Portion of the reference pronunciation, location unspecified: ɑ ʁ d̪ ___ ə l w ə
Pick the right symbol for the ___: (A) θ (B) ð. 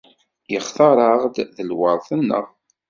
B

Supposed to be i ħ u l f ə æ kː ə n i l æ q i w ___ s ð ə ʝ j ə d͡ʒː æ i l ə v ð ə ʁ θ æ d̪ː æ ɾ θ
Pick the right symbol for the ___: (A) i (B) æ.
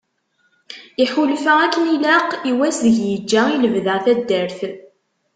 B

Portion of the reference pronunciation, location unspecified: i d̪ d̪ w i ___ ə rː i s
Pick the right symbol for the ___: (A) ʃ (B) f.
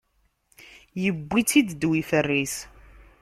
B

